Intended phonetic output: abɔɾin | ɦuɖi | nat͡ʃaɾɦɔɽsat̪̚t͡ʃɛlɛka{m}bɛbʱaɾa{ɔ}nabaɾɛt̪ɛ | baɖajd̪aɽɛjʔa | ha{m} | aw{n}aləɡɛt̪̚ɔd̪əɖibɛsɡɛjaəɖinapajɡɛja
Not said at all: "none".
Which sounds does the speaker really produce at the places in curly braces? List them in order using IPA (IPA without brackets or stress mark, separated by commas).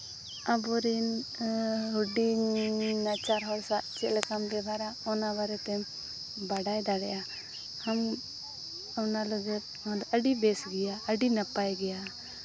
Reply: m, ɔ, m, n